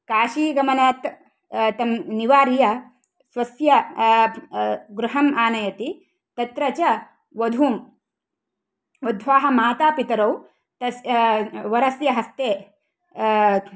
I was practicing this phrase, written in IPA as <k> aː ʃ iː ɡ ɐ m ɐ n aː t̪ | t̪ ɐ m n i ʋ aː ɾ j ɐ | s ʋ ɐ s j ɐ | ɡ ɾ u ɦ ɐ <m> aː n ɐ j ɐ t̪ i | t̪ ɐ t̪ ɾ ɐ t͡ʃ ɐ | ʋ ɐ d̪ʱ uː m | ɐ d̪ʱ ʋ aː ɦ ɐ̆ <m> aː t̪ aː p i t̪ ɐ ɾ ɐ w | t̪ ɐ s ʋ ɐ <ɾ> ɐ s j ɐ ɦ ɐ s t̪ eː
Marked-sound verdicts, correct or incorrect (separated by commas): correct, correct, correct, correct